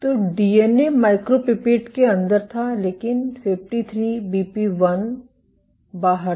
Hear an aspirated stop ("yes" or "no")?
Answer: yes